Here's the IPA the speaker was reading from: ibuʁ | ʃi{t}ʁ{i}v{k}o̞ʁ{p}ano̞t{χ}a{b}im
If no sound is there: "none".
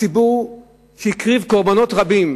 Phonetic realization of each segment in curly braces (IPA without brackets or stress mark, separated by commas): k, i, k, b, ʁ, b